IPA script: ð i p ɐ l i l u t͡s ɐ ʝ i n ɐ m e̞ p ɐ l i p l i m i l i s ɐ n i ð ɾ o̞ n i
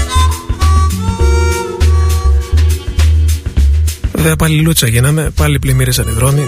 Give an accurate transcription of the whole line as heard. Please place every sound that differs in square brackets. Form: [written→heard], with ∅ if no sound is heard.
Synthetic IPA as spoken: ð [i→e] p ɐ l i l u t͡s ɐ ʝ i n ɐ m e̞ p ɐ l i p l i m i [l→ɾ] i s ɐ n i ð ɾ o̞ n i